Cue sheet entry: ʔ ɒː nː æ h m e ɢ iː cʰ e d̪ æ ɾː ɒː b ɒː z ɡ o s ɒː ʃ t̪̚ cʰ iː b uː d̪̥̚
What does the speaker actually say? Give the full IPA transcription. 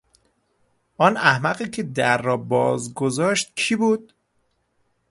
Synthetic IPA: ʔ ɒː n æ h m æ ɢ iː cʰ e d̪ æ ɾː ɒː b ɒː z ɡ o z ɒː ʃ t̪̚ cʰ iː b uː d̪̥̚